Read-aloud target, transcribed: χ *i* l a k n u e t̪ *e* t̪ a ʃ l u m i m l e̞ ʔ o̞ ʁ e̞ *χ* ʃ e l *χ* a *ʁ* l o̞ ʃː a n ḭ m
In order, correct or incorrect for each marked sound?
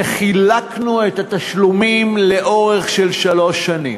correct, incorrect: a, correct, incorrect: ʃ, incorrect: none

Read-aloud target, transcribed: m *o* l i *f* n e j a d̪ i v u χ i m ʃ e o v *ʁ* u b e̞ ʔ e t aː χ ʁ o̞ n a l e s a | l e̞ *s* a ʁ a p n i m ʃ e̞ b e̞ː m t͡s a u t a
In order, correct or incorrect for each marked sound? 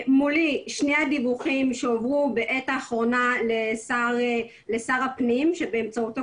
incorrect: u, incorrect: ʃ, correct, correct

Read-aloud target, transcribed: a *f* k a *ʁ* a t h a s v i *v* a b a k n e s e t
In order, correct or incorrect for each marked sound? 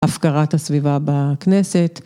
correct, correct, correct

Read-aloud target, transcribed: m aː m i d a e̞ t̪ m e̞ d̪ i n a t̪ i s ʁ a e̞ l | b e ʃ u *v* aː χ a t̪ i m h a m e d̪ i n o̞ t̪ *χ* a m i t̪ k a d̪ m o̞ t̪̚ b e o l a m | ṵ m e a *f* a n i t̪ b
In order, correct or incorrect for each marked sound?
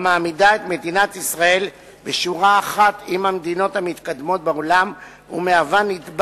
incorrect: ʁ, incorrect: h, incorrect: v

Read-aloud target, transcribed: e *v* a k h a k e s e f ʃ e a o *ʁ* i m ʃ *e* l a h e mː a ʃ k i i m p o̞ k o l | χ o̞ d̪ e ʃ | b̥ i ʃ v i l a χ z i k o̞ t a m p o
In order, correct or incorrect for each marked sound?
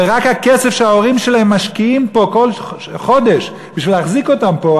incorrect: ʁ, correct, correct

